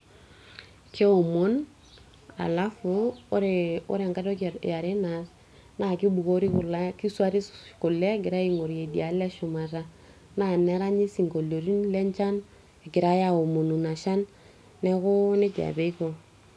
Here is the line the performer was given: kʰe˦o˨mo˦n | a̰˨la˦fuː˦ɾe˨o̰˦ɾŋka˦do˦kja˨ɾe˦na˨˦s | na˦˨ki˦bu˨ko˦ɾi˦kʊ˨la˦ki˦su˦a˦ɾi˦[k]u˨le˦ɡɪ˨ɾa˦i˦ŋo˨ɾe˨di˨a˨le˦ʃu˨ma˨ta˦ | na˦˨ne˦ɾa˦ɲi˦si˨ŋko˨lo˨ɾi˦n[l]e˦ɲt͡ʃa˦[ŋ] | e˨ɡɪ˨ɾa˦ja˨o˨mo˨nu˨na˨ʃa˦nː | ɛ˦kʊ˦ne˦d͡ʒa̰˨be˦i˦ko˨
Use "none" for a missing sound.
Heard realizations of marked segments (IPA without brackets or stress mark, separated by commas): k, l, n